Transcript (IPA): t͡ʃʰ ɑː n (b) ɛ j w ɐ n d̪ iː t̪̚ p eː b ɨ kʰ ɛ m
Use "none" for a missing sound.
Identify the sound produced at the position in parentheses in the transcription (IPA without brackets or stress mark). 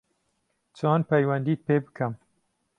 p